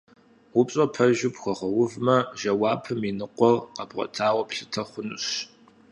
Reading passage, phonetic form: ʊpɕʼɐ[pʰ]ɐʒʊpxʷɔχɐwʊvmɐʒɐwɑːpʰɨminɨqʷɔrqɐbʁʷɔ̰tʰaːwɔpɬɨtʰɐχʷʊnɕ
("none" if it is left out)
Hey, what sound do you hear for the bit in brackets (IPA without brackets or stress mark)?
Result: pʰ